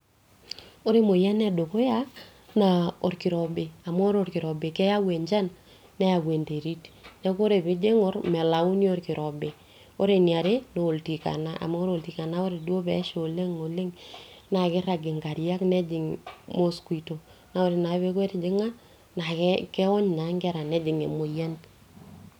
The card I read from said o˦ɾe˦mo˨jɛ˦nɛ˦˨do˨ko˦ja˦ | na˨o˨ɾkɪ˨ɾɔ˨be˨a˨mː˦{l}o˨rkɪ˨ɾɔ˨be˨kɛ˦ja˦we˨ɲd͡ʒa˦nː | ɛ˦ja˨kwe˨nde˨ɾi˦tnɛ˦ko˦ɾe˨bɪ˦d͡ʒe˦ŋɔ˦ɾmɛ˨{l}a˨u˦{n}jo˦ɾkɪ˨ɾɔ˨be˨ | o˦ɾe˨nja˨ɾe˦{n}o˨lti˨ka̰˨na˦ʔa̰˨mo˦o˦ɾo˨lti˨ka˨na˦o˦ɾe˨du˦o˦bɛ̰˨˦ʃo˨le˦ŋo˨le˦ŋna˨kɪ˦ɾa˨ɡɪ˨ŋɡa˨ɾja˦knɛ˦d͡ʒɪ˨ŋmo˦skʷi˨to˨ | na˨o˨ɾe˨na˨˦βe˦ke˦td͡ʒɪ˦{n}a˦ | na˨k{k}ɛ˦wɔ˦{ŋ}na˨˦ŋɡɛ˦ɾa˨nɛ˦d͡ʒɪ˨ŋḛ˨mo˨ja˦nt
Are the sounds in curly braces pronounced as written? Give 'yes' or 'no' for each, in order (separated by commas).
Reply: no, yes, yes, yes, no, yes, no